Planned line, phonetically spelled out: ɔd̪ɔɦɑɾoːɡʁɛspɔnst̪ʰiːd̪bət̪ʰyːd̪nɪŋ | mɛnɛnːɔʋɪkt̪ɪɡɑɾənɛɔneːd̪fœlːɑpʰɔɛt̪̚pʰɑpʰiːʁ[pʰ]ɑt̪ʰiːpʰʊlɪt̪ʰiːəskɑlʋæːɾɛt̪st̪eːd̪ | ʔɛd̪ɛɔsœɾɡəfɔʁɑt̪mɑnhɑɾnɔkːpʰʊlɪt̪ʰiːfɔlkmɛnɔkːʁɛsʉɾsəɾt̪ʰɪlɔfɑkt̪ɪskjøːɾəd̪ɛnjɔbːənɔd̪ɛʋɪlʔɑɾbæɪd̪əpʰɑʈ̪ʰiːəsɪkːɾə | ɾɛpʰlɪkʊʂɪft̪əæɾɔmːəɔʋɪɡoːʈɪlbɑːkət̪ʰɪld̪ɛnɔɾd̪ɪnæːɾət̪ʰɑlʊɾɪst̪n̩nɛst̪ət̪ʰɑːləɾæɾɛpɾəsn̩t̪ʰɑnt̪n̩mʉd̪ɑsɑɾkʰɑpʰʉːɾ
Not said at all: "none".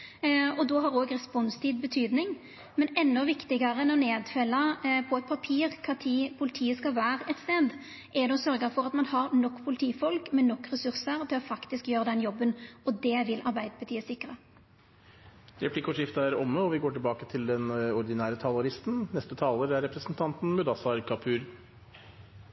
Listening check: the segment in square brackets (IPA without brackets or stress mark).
kʰ